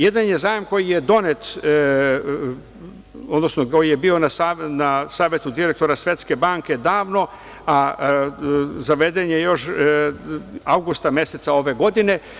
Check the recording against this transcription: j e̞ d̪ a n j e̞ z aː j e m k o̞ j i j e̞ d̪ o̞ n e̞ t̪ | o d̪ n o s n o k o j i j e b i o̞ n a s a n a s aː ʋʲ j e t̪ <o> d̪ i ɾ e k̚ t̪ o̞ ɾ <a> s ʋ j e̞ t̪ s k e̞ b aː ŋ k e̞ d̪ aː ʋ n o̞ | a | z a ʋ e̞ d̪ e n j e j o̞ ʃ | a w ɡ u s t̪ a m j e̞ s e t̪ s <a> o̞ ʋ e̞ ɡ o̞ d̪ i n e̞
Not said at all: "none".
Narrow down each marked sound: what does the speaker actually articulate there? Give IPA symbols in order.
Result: u, a, a

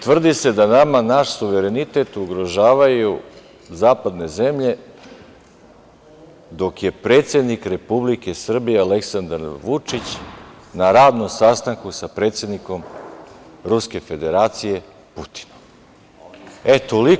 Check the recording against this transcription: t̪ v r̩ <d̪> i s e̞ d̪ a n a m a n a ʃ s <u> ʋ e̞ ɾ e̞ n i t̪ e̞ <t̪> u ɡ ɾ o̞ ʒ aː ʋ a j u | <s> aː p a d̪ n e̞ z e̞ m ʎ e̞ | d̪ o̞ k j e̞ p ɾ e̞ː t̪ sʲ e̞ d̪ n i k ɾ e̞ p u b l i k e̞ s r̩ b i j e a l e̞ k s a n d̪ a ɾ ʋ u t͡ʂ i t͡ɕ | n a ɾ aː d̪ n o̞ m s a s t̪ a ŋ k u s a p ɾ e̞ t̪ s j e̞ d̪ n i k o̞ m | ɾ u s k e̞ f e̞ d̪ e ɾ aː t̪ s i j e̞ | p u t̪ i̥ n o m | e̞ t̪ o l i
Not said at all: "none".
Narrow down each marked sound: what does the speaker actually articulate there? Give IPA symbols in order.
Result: d̪, u, t̪, z

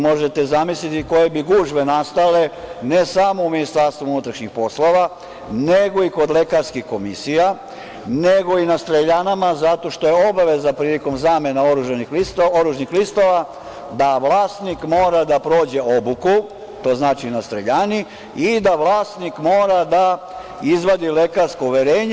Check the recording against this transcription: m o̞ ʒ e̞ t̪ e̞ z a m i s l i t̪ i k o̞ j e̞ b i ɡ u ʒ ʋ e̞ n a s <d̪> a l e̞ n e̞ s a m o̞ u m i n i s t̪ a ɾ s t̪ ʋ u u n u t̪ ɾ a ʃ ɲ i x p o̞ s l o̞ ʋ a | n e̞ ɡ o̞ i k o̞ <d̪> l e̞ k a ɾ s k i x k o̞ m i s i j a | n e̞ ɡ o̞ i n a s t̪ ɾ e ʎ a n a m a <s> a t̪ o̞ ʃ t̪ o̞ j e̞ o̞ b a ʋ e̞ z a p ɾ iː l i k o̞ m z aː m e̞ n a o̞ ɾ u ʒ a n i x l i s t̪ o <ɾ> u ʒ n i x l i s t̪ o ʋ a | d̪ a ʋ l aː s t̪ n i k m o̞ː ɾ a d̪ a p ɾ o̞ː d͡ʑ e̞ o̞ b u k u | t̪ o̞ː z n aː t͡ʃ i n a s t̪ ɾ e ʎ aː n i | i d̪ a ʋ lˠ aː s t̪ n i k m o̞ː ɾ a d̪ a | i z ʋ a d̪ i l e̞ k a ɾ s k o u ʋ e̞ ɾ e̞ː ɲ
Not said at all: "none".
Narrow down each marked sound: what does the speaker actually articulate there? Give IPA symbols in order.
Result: t̪, d̪, z, ɾ

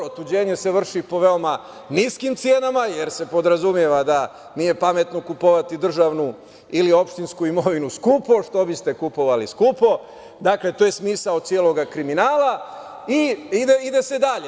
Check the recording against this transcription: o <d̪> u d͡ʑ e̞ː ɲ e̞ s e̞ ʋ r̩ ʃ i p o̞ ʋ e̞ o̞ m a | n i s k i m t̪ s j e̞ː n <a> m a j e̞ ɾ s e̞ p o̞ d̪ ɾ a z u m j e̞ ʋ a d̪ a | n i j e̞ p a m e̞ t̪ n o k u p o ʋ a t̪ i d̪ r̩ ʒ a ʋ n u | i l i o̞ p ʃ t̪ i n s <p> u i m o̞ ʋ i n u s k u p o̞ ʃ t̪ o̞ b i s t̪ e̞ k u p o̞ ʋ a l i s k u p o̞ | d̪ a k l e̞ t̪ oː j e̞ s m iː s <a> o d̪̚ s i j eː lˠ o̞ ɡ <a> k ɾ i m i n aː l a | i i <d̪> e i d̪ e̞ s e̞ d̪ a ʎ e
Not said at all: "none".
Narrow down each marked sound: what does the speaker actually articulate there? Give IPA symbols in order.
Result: t̪, a, k, a, a, d̪

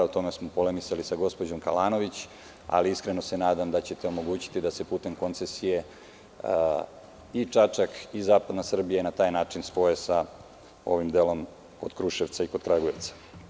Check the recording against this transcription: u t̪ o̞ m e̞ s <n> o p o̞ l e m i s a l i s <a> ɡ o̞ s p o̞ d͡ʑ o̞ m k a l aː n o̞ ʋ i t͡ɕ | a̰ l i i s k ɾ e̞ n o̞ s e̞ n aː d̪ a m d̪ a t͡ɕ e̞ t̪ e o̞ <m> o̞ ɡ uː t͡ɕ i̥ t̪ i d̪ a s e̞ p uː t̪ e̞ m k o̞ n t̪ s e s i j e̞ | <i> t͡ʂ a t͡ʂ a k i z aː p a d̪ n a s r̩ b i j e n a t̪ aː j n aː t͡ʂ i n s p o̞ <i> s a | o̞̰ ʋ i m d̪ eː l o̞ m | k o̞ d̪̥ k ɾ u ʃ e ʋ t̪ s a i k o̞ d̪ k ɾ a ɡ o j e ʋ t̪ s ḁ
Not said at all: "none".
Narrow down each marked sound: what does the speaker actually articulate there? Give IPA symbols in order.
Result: m, a, m, i, e

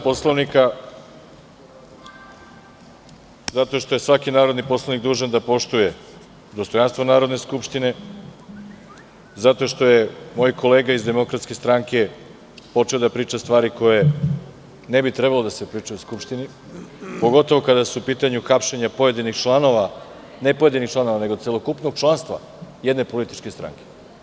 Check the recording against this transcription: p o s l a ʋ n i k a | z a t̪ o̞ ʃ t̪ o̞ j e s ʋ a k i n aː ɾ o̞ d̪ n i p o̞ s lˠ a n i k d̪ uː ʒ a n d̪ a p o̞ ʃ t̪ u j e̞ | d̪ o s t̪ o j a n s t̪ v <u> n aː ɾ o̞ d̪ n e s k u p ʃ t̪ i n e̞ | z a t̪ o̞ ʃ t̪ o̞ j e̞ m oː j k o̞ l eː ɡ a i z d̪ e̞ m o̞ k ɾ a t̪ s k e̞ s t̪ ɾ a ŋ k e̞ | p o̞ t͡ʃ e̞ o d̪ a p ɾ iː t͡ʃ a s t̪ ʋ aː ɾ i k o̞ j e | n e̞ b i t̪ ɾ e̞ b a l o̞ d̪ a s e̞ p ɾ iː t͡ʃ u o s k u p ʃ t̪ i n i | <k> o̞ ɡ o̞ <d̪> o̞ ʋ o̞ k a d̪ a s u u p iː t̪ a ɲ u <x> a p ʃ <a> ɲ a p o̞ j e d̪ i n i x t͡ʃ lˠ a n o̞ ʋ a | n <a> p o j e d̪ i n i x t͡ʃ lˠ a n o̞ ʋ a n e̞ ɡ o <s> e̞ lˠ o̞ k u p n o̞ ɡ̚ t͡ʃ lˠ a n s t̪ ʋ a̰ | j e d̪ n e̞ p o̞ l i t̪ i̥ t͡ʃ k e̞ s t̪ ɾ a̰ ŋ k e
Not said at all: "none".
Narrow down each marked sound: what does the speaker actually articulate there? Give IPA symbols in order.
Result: o, p, t̪, x, e, e, s

